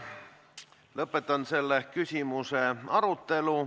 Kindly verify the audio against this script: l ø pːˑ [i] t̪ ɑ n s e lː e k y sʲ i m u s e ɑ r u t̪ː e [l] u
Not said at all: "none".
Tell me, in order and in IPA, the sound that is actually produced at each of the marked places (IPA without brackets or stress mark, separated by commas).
e, l